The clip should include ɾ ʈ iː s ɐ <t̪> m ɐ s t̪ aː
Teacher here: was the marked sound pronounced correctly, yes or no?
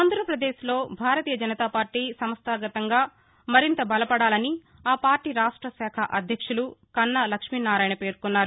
no